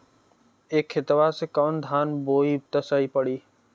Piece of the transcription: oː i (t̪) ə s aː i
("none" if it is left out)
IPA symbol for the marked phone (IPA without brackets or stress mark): t̪